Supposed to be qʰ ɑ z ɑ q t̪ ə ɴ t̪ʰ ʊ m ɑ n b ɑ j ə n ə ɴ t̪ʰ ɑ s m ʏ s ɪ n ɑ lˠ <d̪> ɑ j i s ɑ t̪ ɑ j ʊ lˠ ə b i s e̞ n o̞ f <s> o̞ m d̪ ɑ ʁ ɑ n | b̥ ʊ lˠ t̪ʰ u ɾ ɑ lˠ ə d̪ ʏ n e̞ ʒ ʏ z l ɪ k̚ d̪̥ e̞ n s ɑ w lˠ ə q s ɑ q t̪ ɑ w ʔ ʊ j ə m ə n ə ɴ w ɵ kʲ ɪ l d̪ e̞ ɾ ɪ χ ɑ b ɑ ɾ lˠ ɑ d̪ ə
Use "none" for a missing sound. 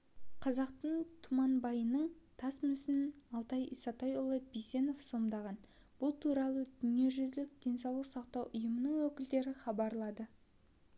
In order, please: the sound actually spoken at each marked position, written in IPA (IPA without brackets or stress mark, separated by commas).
t̪, s